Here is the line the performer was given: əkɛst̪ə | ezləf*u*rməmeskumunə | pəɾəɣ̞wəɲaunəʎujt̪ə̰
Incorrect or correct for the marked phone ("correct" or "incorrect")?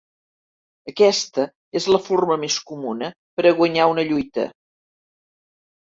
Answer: incorrect